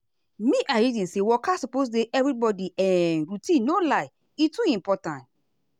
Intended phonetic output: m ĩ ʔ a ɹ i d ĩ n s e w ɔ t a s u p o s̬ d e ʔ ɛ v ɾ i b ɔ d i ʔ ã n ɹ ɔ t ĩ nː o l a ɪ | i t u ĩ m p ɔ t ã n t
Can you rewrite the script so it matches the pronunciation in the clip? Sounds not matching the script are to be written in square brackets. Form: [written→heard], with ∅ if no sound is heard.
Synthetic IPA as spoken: m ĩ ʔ a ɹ i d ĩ n s e w ɔ [t→k] a s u p o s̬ d e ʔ ɛ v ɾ i b ɔ d i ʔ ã n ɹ [ɔ→u] t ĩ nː o l a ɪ | i t u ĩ m p ɔ t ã n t

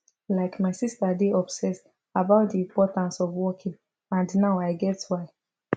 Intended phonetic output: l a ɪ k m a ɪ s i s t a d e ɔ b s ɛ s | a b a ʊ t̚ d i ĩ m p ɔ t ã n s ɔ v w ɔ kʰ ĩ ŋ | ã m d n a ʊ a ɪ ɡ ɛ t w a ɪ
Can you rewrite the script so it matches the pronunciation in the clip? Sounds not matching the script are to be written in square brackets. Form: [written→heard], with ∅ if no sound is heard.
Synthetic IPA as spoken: l a ɪ k m a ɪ s i s t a d e ɔ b s ɛ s | a b a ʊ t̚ d i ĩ m p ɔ t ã n s ɔ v w ɔ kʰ ĩ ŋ | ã [m→n] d n a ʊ a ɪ ɡ ɛ t w a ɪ

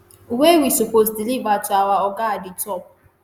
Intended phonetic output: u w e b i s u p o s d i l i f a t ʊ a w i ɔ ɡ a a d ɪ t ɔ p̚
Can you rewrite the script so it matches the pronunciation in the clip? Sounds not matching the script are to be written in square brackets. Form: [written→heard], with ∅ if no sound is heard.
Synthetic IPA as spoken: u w e [b→w] i s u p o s d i l i [f→v] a t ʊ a w [i→a] ɔ ɡ a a d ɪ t ɔ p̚

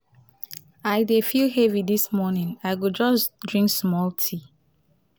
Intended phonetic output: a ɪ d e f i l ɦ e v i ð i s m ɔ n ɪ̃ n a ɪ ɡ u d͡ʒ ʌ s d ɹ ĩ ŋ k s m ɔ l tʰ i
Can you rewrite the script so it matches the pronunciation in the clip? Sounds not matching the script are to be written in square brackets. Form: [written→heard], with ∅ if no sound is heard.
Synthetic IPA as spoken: a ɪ d e f i l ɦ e v i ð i s m ɔ n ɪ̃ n a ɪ ɡ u d͡ʒ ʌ s d ɹ ĩ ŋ k s m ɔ l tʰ i

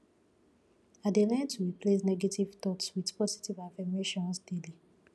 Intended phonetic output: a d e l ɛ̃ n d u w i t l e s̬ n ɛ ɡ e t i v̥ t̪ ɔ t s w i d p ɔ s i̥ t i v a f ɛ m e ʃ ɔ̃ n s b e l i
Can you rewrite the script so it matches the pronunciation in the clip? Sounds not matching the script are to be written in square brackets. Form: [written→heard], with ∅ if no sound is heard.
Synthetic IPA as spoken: a d e l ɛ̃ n [d→t] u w i [t→p] l e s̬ n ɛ ɡ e t i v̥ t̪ ɔ t s w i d p ɔ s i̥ t i v a f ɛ m e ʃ ɔ̃ n s [b→d] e l i

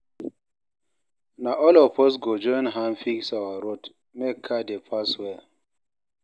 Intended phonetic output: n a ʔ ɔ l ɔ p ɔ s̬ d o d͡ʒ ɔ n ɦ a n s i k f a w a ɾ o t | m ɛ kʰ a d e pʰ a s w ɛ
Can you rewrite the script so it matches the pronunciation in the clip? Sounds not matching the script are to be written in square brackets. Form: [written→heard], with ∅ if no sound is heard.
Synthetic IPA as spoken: n a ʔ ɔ l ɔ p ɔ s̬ [d→ɡ] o d͡ʒ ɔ n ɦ a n [s→f] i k [f→s] a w a ɾ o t | m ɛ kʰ a d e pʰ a s w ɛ

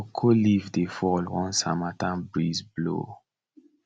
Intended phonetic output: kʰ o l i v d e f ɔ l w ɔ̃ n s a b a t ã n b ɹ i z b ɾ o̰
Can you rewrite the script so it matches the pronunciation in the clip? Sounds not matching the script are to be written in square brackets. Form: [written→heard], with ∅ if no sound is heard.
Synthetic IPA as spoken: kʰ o l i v d e f ɔ l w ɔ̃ n s a [b→m] a t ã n b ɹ i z b [ɾ→l] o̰

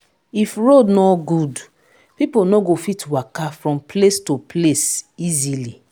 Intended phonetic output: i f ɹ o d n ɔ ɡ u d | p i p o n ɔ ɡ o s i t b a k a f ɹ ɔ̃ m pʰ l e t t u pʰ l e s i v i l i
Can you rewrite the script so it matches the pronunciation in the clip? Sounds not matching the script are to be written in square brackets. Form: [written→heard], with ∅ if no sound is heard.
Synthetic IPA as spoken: i f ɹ o d n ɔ ɡ u d | p i p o n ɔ ɡ o [s→f] i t [b→w] a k a f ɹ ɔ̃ m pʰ l e [t→s] t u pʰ l e s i [v→z] i l i

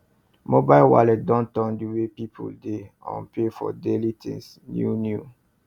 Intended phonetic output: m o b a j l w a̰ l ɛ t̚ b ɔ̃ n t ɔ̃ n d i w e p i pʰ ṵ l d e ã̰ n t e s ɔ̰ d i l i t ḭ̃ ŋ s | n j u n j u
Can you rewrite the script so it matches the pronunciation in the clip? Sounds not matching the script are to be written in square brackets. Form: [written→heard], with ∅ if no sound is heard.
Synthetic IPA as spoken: m o b a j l w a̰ l ɛ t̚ [b→d] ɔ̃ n t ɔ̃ n d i w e p i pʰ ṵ l d e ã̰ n [t→p] e [s→f] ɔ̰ d [i→e] l i t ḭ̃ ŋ s | n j u n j u

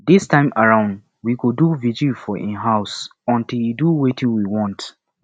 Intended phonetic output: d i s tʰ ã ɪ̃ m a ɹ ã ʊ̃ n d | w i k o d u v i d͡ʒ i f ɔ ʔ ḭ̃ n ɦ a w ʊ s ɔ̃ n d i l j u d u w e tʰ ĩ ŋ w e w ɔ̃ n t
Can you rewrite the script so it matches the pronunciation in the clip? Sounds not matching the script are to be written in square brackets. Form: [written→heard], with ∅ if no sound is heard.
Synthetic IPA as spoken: d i s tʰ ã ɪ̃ m a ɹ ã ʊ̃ n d | w i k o d u v i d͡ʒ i f ɔ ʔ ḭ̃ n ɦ a [w→∅] ʊ s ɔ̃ n [d→t] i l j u d u w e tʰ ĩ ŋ w [e→i] w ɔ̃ n t

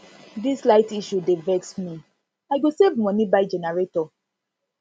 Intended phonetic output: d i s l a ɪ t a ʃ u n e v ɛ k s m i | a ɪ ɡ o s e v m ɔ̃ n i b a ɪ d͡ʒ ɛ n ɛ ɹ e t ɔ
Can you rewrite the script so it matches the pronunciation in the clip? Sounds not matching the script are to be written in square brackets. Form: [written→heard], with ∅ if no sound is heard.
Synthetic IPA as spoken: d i s l a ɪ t [a→i] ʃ u [n→d] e v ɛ k s m i | a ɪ ɡ o s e v m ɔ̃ n i b a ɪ d͡ʒ ɛ n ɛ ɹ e t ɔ

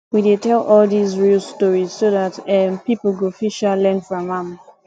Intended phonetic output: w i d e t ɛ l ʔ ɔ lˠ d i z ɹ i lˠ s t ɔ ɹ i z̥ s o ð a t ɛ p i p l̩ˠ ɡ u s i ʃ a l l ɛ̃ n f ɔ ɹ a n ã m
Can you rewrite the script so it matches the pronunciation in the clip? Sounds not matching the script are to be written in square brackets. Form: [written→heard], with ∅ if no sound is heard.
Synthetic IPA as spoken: w i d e t ɛ l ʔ ɔ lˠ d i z ɹ i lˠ s t ɔ ɹ i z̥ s o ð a t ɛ p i p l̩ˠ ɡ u [s→f] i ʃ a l l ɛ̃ n f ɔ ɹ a [n→m] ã m

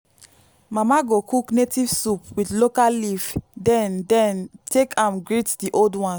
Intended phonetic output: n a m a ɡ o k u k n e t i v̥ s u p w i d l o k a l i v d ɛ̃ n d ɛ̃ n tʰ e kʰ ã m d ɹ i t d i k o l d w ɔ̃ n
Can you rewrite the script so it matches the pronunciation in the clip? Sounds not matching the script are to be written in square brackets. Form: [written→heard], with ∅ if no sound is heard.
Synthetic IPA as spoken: [n→m] a m a ɡ o k u k n e t i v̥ s u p w i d l o k a l i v d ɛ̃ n d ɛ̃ n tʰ e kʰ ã m [d→ɡ] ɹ i t d i [k→ʔ] o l d w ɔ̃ n

